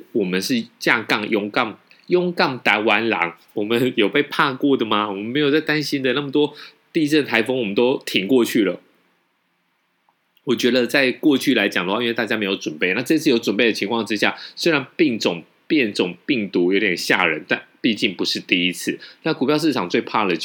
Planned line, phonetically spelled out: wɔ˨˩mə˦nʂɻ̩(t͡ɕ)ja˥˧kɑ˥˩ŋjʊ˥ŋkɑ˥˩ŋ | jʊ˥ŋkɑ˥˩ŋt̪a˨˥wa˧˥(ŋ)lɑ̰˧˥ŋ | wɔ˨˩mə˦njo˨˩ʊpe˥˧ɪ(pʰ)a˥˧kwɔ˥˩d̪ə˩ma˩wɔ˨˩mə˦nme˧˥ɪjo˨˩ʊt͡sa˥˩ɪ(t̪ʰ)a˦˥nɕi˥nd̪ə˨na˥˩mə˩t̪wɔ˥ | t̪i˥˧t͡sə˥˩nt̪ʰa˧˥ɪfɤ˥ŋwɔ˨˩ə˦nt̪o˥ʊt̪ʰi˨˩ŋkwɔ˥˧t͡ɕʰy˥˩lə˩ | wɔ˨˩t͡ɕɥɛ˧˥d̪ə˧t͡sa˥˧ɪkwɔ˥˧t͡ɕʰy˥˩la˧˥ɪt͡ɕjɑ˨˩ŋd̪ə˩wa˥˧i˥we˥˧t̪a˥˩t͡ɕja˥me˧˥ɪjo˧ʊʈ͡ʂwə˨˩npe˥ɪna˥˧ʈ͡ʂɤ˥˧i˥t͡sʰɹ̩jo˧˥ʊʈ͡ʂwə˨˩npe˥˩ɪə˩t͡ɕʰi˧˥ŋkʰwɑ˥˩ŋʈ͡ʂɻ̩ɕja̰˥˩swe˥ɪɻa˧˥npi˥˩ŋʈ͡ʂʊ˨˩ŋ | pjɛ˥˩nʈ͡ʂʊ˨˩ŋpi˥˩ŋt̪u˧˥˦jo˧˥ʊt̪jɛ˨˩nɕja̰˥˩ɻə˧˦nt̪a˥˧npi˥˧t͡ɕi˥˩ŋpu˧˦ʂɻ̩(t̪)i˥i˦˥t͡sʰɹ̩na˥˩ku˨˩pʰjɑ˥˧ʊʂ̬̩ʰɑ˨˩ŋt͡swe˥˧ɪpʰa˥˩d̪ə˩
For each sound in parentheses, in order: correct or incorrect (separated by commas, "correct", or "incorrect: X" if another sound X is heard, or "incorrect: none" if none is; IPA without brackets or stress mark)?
correct, incorrect: n, correct, incorrect: t̪, correct